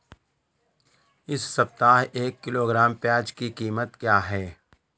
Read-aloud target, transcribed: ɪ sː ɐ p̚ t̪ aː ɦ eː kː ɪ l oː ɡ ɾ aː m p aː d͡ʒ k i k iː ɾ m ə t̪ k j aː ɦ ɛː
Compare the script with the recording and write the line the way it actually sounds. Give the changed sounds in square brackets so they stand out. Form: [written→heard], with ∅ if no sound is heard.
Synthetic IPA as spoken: ɪ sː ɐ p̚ t̪ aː ɦ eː kː ɪ l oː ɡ ɾ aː m p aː d͡ʒ k i k iː [ɾ→∅] m ə t̪ k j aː ɦ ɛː